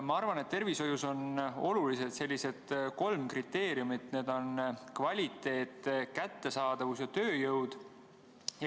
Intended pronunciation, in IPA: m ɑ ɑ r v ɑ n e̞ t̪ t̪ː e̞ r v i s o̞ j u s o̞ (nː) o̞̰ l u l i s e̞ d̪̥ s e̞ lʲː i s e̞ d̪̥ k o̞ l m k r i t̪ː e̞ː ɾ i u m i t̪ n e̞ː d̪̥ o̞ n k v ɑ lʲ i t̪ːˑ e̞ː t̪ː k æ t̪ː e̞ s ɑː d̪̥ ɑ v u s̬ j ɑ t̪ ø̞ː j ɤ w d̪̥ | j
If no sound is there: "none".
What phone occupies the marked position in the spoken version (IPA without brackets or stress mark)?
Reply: n